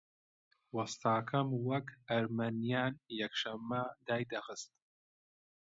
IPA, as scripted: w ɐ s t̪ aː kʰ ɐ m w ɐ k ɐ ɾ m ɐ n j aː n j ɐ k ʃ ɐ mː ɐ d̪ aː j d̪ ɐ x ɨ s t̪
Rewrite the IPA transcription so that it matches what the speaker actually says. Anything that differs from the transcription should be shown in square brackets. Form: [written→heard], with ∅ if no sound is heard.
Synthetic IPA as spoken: w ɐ s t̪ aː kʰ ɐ m w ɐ k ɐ ɾ m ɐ n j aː n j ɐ k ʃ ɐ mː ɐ d̪ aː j d̪ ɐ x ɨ s t̪